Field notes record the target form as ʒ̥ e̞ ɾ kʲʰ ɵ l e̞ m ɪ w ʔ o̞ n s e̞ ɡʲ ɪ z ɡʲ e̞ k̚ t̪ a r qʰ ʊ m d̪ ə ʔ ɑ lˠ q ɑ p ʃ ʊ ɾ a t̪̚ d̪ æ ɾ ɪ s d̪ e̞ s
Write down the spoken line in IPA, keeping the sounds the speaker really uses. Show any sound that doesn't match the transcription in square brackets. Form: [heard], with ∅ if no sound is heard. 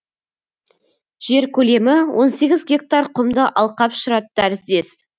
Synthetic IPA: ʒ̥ e̞ ɾ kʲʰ ɵ l e̞ m ɪ w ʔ o̞ n s e̞ ɡʲ ɪ z ɡʲ e̞ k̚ t̪ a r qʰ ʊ m d̪ ə ʔ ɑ lˠ q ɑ p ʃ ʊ ɾ [ɑ] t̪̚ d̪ æ ɾ ɪ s d̪ e̞ s